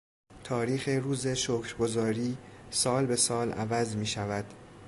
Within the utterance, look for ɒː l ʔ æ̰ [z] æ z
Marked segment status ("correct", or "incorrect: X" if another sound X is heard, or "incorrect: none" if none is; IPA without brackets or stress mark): incorrect: v